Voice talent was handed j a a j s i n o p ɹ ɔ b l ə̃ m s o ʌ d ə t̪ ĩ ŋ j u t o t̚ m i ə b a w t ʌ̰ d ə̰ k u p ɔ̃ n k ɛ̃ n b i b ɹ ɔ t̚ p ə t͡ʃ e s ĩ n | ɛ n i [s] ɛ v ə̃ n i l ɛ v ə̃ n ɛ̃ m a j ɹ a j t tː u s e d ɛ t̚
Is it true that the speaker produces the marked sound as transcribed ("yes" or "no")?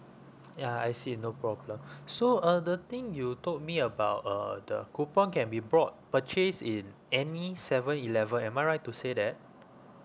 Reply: yes